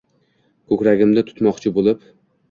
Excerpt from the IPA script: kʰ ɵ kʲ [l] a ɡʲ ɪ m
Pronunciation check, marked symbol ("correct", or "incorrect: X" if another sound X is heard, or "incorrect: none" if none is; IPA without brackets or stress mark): incorrect: ɾ